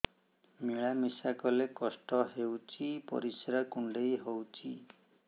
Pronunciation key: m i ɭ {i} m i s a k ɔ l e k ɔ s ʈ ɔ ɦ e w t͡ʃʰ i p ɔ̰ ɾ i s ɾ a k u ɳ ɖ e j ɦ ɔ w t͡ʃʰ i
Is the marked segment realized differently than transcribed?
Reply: yes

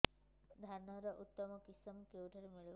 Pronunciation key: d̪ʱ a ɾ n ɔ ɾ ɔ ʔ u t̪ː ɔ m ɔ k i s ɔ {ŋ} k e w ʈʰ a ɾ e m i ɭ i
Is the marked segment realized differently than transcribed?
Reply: yes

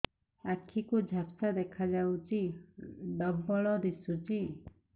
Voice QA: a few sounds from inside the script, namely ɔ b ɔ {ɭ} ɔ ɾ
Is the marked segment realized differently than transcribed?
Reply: no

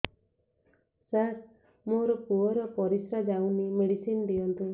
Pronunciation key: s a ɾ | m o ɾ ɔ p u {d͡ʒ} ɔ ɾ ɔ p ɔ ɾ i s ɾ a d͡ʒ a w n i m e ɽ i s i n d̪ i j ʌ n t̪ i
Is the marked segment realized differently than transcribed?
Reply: yes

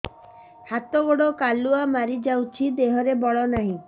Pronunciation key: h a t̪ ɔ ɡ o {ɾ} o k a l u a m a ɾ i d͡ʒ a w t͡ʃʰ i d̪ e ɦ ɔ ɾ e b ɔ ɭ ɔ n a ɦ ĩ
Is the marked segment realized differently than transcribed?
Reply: yes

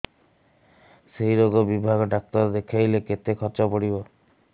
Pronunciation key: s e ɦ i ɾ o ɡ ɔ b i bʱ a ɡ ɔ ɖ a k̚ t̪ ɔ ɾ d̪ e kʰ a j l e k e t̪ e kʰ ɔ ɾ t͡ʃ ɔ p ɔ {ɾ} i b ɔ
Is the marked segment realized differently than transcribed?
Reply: yes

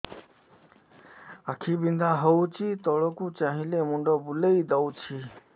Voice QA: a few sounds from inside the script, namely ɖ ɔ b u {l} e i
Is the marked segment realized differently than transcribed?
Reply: no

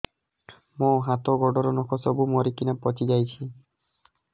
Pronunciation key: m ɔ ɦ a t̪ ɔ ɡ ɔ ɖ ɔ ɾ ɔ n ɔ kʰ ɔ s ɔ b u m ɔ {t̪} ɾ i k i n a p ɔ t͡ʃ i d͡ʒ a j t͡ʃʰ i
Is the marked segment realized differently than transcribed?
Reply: yes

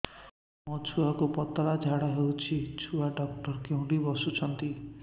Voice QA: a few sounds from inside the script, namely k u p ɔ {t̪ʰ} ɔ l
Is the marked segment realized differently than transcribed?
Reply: yes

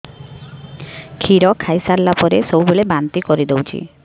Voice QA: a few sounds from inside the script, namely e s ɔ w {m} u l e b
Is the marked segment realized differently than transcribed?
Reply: yes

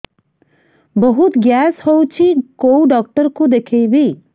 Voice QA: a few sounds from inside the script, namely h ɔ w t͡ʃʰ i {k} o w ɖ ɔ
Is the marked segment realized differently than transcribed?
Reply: no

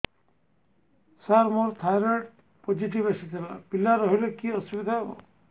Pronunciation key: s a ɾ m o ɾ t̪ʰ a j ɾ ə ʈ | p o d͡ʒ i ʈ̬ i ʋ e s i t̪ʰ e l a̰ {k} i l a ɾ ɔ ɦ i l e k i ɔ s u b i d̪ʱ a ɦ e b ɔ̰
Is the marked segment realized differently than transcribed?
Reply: yes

